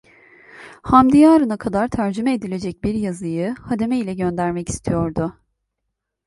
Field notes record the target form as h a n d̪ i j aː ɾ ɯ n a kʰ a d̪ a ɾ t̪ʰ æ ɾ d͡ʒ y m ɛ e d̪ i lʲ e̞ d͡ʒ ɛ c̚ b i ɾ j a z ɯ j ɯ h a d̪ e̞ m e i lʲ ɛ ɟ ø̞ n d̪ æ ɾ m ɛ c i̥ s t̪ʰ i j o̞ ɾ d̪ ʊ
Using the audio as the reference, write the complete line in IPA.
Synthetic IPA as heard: h a m d̪ i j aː ɾ ɯ n a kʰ a d̪ a ɾ t̪ʰ æ ɾ d͡ʒ y m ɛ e d̪ i lʲ e̞ d͡ʒ ɛ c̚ b i ɾ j a z ɯ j ɯ h a d̪ e̞ m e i lʲ ɛ ɟ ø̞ n d̪ æ ɾ m ɛ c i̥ s t̪ʰ i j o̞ ɾ d̪ ʊ